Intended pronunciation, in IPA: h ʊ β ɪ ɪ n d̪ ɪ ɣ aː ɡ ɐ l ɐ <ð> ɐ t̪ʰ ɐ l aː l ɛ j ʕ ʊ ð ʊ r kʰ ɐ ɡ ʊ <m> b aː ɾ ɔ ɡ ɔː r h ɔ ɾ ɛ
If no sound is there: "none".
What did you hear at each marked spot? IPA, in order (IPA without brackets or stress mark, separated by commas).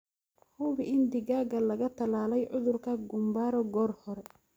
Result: ɣ, m